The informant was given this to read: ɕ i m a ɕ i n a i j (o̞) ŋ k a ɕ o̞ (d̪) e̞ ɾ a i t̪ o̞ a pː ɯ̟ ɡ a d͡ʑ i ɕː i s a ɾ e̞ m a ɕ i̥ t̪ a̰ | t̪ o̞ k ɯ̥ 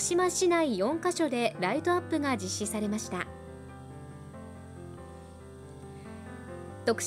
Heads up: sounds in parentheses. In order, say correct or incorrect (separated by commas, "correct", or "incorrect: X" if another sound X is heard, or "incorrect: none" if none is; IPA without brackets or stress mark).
incorrect: õ̞, correct